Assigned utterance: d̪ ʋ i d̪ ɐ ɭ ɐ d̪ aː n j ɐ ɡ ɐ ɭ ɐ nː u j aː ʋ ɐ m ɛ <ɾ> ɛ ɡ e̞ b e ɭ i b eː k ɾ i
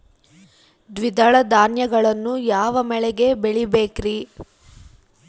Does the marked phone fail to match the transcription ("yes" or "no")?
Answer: yes